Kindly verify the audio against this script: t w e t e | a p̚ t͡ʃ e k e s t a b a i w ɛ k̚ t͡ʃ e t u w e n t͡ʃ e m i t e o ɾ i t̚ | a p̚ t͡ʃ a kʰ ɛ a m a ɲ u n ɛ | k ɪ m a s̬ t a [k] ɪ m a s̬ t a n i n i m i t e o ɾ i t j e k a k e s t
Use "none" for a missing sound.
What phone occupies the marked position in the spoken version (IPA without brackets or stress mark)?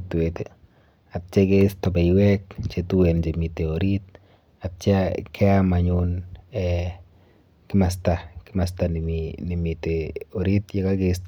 k